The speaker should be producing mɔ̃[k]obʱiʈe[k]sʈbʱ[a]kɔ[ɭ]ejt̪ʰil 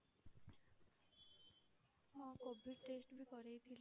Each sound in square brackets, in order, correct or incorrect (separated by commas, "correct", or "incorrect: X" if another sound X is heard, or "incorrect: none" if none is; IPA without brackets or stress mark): correct, incorrect: none, incorrect: i, incorrect: ɾ